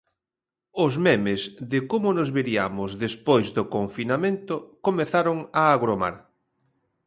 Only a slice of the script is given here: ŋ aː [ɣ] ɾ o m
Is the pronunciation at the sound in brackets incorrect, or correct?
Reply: correct